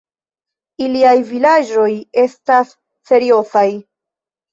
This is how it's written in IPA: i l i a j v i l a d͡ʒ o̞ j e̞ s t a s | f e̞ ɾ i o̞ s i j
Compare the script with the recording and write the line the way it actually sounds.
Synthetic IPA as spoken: i l i a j v i l a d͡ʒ o̞ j e̞ s t a s | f e̞ ɾ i o̞ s a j